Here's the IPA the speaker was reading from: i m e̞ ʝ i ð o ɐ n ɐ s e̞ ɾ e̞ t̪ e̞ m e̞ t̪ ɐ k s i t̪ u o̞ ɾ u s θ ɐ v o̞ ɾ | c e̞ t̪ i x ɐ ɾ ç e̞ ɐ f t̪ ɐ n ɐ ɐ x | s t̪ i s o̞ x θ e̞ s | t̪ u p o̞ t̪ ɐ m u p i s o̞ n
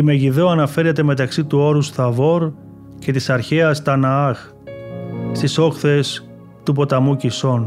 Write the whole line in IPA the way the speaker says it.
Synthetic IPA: i m e̞ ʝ i ð o ɐ n ɐ f e̞ ɾ e̞ t̪ e̞ m e̞ t̪ ɐ k s i t̪ u o̞ ɾ u s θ ɐ v o̞ ɾ | c e̞ t̪ i s ɐ ɾ ç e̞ ɐ s t̪ ɐ n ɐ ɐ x | s t̪ i s o̞ x θ e̞ s | t̪ u p o̞ t̪ ɐ m u c i s o̞ n